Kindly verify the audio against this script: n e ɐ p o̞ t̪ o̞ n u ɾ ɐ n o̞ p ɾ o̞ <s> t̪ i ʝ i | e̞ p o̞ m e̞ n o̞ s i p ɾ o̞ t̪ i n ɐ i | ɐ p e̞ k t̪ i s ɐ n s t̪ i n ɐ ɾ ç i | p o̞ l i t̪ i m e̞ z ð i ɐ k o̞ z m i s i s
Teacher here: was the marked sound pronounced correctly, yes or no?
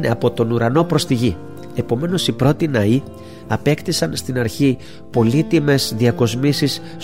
yes